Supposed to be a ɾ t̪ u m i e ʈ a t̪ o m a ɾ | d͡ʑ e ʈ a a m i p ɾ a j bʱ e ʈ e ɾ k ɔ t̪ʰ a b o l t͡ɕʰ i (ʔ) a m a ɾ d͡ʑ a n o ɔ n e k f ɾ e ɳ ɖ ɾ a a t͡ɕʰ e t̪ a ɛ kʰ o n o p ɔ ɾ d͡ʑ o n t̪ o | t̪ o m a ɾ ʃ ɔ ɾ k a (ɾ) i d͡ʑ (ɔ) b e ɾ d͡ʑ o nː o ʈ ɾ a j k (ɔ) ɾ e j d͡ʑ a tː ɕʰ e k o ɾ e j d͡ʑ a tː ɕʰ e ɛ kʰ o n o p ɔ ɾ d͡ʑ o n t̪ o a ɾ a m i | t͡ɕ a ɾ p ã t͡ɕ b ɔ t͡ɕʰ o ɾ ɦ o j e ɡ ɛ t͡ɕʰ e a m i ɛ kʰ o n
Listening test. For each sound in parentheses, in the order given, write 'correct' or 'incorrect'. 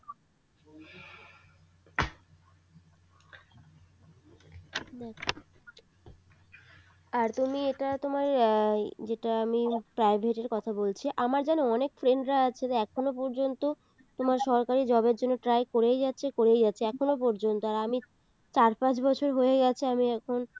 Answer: correct, correct, correct, incorrect

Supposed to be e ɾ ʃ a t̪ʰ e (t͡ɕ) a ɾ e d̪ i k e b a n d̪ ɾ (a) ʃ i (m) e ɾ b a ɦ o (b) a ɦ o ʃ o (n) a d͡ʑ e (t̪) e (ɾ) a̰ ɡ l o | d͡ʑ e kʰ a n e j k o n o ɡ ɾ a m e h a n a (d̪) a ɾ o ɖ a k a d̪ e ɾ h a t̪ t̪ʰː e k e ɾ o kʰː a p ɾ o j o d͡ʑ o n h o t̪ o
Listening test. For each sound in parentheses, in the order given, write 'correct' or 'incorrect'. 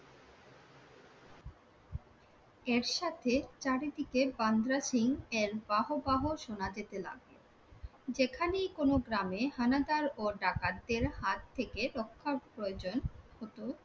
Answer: correct, correct, incorrect, correct, correct, correct, incorrect, correct

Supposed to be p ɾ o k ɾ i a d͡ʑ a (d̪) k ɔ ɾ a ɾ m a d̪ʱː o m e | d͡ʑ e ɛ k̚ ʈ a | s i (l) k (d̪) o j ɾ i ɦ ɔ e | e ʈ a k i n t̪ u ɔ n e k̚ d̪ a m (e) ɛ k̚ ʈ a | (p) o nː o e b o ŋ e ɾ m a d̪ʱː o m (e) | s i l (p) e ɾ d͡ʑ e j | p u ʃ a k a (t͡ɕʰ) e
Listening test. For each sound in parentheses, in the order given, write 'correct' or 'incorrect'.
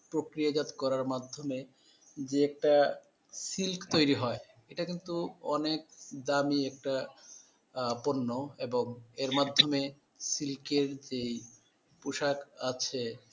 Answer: incorrect, correct, incorrect, incorrect, correct, correct, incorrect, correct

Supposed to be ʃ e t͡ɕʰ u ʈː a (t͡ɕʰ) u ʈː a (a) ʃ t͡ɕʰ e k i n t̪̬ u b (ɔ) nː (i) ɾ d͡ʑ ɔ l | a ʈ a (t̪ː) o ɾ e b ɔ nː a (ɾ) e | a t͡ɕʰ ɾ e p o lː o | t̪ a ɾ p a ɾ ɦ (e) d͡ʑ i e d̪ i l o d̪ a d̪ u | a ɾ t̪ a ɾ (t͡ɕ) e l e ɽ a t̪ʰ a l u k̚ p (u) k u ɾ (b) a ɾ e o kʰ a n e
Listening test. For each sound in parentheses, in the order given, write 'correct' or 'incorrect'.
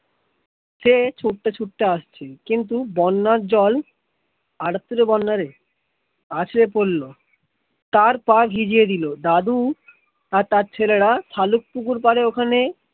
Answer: correct, correct, correct, incorrect, correct, correct, incorrect, incorrect, correct, incorrect

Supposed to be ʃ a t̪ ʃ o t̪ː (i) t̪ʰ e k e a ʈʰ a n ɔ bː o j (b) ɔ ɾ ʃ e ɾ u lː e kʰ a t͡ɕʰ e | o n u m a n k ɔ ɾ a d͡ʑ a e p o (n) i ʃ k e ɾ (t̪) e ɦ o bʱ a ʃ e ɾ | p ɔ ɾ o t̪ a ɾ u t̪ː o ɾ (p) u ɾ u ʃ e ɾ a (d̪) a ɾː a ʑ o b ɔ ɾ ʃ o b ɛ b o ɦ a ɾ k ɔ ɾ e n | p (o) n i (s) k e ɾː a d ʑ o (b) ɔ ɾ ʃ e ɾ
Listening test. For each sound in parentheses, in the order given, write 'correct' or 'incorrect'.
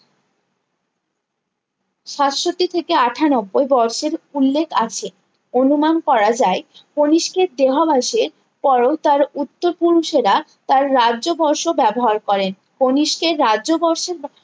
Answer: correct, correct, correct, incorrect, correct, incorrect, correct, incorrect, correct

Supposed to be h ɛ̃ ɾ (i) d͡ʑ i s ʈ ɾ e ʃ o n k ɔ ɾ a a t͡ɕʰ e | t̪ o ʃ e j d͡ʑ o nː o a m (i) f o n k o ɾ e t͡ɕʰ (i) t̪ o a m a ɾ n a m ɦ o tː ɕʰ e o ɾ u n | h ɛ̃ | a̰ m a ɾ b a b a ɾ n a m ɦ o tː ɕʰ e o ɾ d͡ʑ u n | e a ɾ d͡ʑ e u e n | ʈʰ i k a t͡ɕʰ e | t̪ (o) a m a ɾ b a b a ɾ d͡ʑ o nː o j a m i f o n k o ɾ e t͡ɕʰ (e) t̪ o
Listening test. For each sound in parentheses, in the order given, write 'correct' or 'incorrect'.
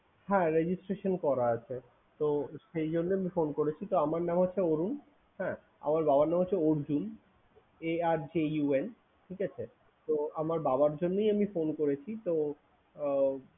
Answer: incorrect, correct, correct, correct, incorrect

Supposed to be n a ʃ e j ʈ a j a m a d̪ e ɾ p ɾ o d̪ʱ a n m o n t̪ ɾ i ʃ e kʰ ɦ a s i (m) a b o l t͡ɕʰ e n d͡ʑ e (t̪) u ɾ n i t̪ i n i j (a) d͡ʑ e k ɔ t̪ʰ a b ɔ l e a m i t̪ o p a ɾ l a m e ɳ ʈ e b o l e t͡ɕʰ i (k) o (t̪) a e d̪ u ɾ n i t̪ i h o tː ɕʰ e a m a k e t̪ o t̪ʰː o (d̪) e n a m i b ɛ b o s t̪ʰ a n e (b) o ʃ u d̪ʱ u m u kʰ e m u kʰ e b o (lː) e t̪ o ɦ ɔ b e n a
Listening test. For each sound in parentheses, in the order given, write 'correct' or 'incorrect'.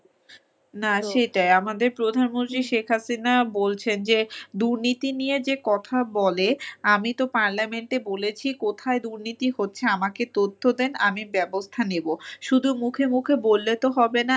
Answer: incorrect, incorrect, incorrect, correct, incorrect, correct, correct, correct

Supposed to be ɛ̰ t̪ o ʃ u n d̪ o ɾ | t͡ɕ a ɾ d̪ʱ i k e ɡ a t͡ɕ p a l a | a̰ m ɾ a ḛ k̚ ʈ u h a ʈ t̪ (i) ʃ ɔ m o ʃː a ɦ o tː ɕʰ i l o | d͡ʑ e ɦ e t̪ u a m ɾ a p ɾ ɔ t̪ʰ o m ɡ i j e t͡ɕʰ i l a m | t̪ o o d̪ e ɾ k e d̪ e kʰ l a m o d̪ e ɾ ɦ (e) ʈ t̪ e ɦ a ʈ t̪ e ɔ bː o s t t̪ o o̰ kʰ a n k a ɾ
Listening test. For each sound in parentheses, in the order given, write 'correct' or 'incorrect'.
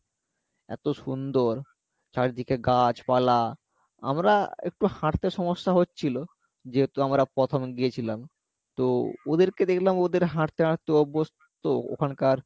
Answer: incorrect, incorrect

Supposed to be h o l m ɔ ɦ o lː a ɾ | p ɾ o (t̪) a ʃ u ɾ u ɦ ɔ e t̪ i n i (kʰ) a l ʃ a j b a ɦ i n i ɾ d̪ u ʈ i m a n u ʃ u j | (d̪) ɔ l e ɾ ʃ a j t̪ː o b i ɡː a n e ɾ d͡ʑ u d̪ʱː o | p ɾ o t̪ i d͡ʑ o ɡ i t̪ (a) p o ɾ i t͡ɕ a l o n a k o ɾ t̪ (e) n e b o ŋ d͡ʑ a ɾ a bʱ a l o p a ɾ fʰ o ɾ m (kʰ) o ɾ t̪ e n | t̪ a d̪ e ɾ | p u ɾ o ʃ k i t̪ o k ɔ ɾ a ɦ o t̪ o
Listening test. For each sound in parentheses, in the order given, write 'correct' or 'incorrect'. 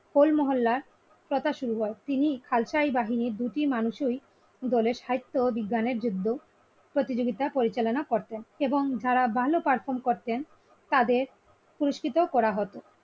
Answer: correct, correct, correct, correct, correct, incorrect

